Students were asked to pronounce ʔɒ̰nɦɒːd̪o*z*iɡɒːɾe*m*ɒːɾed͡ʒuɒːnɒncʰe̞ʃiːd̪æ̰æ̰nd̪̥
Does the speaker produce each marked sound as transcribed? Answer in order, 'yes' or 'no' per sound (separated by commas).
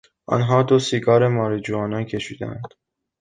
no, yes